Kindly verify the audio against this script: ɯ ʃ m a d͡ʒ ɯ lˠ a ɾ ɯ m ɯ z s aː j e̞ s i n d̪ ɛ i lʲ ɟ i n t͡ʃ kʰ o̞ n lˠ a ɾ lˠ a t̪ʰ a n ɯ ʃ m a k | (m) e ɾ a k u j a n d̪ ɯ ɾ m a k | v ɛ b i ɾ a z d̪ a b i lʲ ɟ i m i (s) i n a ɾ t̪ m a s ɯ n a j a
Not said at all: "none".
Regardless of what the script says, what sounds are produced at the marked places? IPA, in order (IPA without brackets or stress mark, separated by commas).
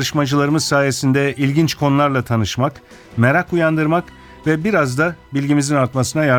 m, z